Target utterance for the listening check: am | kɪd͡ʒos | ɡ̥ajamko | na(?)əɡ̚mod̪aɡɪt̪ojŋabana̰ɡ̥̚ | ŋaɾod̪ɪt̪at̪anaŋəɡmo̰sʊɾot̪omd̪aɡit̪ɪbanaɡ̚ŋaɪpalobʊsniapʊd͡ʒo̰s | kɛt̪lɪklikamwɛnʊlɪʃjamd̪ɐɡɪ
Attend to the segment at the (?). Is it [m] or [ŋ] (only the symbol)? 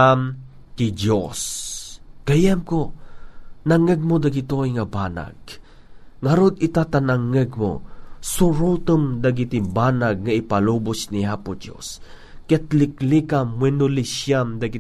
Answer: ŋ